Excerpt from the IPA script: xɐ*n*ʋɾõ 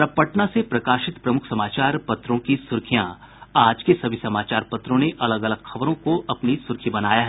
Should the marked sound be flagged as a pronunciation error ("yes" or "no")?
yes